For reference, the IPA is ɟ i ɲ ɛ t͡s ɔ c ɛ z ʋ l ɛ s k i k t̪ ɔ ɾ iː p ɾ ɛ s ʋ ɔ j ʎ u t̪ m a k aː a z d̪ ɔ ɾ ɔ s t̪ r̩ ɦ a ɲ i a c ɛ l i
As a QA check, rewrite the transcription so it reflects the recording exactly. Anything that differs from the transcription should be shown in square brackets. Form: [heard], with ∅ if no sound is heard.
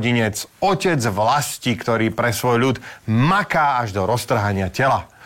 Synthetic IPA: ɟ i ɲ ɛ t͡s ɔ c ɛ [d͡z] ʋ l [a] s [c] i k t̪ ɔ ɾ iː p ɾ ɛ s ʋ ɔ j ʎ u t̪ m a k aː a [ʒ] d̪ ɔ ɾ ɔ s t̪ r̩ ɦ a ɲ [ɪ] a c ɛ l [a]